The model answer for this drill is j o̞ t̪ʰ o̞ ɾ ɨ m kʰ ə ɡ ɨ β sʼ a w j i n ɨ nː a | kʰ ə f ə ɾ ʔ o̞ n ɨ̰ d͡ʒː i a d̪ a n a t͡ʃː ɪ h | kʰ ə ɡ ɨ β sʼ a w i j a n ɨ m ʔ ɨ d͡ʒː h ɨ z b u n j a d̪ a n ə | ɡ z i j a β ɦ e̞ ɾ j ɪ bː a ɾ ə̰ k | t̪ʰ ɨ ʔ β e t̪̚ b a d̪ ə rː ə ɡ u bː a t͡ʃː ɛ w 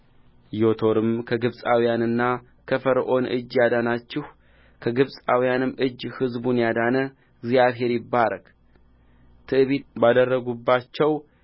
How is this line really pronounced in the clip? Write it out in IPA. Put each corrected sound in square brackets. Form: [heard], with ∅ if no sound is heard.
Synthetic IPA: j o̞ t̪ʰ o̞ ɾ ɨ m kʰ ə ɡ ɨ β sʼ a w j [a] n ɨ nː a | kʰ ə f ə ɾ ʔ o̞ n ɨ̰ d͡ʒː [j] a d̪ a n a t͡ʃː ɪ h | kʰ ə ɡ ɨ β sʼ a w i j a n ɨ m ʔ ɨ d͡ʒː h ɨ z b u n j a d̪ a n ə | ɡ z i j a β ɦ e̞ ɾ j ɪ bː a ɾ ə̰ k | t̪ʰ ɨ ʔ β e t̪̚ b a d̪ ə rː ə ɡ u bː a t͡ʃː ɛ w